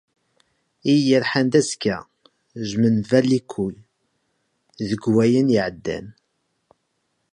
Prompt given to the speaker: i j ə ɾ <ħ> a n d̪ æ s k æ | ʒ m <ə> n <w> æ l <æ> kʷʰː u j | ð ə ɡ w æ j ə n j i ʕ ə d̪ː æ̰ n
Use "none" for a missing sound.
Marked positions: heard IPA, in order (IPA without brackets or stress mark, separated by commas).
ħ, ə, v, i